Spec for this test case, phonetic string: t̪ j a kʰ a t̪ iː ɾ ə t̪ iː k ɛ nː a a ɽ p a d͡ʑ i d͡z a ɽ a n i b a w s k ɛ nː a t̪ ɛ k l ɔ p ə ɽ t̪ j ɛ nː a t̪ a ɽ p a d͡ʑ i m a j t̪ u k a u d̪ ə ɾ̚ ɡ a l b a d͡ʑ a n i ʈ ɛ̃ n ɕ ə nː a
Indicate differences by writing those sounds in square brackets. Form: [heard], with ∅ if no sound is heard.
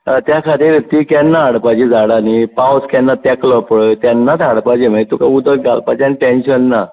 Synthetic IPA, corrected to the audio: t̪ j a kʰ a t̪ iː ɾ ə t̪ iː k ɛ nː a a ɽ p a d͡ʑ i d͡z a ɽ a n i [p] a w s k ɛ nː a t̪ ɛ k l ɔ p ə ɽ t̪ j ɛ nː a t̪ a ɽ p a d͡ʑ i m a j t̪ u k a u d̪ ə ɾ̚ ɡ a l [p] a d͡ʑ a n i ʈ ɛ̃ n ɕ ə nː a